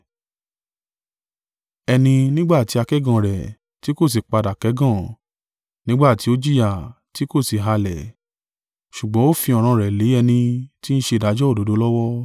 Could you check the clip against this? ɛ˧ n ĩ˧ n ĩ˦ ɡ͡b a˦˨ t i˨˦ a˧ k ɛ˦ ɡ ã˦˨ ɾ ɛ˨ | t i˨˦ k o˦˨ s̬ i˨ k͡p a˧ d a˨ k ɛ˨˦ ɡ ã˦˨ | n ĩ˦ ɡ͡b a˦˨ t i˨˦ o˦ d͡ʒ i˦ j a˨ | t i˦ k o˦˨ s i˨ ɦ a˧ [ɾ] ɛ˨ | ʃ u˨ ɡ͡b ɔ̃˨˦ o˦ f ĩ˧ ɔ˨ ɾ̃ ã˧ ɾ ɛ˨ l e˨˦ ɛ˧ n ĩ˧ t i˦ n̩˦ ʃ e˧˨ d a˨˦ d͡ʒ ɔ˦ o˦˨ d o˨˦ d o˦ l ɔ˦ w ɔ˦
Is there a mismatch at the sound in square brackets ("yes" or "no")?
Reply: yes